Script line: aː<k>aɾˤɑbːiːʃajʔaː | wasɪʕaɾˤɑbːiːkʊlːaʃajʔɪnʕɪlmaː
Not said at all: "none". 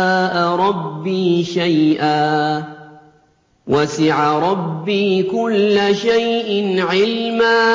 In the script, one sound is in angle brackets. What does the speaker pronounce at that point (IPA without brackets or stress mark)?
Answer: ʔ